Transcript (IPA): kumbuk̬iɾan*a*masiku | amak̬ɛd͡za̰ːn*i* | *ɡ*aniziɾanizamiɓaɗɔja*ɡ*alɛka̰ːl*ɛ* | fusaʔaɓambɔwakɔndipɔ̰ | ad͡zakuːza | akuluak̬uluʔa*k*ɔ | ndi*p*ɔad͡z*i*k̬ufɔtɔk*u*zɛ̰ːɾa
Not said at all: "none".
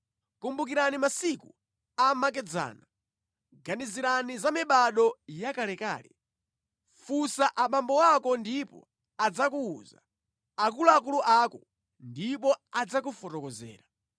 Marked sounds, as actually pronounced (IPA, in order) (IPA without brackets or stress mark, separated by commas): i, a, ɡ, k, ɛ, k, p, a, ɔ